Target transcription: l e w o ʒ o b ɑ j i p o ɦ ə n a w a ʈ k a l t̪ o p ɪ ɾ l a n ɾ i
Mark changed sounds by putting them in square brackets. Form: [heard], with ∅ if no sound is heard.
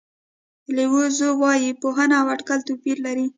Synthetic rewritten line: l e w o [z] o [w] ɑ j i p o ɦ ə n a w a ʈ k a l t̪ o p [i] ɾ l a [∅] ɾ i